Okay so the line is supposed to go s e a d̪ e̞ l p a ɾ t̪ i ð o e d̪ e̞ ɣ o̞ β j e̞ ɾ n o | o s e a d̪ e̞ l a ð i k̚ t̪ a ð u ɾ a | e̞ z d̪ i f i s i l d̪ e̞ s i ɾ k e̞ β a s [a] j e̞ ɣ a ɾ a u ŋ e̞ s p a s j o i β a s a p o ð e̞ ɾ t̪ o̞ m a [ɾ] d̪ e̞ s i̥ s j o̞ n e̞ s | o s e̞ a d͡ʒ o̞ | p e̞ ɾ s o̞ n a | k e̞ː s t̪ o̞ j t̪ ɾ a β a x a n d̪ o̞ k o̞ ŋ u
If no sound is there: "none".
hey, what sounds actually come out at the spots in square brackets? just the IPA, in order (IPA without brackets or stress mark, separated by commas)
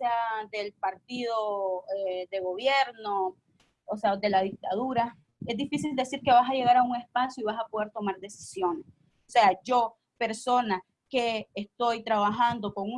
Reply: a, ɾ